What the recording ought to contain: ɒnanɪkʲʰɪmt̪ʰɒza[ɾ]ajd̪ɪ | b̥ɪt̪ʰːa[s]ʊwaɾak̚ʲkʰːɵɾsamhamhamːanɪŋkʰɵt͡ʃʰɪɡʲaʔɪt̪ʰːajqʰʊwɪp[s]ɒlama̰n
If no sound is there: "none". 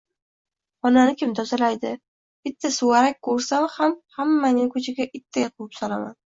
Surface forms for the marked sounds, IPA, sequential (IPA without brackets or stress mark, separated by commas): l, s, s